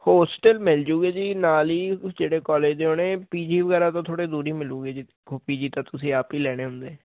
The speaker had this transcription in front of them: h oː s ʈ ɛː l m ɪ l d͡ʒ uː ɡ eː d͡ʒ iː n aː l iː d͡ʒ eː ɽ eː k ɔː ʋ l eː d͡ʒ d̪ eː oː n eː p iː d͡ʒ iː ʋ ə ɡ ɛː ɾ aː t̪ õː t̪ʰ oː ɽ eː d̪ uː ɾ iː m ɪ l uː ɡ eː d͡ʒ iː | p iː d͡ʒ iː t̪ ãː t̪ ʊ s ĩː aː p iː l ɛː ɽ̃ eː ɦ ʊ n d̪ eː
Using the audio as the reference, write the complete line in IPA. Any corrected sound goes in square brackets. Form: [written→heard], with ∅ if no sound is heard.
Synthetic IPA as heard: h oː s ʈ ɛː l m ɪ l d͡ʒ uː ɡ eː d͡ʒ iː n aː l iː d͡ʒ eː ɽ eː k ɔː [ʋ→∅] l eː d͡ʒ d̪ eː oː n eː p iː d͡ʒ iː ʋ ə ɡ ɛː ɾ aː t̪ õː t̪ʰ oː ɽ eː d̪ uː ɾ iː m ɪ l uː ɡ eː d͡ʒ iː | p iː d͡ʒ iː t̪ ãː t̪ ʊ s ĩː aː p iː l ɛː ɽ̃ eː ɦ ʊ n d̪ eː